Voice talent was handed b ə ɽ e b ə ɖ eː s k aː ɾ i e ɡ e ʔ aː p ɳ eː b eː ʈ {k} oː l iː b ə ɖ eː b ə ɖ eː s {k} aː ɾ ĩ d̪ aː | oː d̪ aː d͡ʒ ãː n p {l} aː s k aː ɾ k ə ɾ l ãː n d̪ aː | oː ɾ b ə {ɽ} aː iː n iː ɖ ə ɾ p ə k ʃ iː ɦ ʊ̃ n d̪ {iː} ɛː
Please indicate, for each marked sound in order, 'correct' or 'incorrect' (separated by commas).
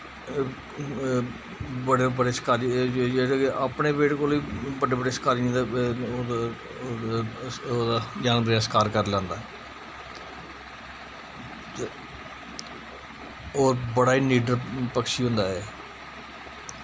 correct, correct, incorrect, correct, incorrect